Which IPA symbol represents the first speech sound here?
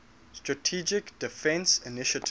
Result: s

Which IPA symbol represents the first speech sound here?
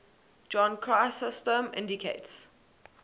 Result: d͡ʒ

